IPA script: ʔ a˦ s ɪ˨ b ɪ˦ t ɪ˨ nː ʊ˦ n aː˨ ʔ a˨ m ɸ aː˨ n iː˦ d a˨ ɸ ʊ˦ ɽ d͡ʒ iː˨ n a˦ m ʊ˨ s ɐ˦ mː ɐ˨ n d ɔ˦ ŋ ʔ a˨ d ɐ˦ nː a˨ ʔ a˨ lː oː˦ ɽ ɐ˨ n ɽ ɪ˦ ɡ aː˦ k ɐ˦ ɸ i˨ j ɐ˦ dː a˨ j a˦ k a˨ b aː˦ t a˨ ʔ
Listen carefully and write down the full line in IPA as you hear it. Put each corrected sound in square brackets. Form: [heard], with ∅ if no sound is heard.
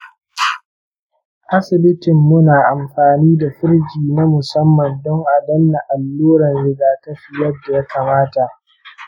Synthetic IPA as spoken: ʔ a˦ s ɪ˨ b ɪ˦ t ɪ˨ [mː] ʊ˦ n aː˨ ʔ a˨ m ɸ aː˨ n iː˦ d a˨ ɸ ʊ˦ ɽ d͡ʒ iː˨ n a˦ m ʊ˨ s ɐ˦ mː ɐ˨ n d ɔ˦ ŋ ʔ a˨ d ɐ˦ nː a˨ ʔ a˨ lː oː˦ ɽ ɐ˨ n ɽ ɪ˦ ɡ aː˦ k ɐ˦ ɸ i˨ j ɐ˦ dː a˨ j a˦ k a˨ [m] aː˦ t a˨ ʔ